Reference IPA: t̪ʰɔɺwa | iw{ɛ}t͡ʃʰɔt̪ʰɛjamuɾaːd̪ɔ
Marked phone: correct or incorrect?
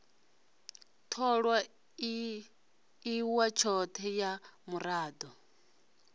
incorrect